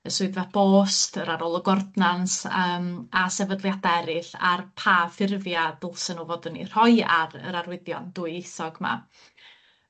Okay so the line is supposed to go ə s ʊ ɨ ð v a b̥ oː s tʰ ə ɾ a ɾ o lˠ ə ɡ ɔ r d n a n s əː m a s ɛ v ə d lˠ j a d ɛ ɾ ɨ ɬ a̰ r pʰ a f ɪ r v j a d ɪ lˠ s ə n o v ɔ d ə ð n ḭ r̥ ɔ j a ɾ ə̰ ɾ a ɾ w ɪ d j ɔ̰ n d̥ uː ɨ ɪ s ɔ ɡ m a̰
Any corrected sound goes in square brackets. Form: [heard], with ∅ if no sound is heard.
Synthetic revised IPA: ə s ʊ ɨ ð v a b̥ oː s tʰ ə ɾ a ɾ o lˠ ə ɡ ɔ r d n a n s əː m a s ɛ v ə d lˠ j a d ɛ ɾ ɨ ɬ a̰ r pʰ a f ɪ r v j a d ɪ lˠ s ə n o v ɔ d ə [∅] n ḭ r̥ ɔ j a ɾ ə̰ ɾ a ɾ w ɪ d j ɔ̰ n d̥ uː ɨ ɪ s ɔ ɡ m a̰